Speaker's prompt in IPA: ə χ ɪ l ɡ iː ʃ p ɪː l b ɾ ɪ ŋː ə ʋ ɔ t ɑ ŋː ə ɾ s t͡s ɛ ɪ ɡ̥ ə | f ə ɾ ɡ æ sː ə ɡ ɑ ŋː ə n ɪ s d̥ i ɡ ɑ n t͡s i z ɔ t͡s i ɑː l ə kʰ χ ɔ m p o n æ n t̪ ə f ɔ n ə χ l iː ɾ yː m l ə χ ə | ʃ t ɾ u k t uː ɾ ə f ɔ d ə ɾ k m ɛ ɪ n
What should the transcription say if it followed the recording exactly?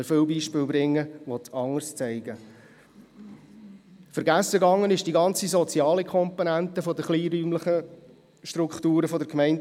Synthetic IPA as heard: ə f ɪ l b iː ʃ p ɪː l b ɾ ɪ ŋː ə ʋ ɔ t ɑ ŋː ə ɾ s t͡s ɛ ɪ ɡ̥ ə | f ə ɾ ɡ æ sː ə ɡ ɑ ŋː ə n ɪ ʃ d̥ i ɡ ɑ n t͡s i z ɔ t͡s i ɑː l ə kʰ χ ɔ m p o n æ n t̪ ə f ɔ d ə χ l iː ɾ yː m l ə χ ə | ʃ t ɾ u k t uː ɾ ə f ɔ d ə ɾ k m ɛ ɪ n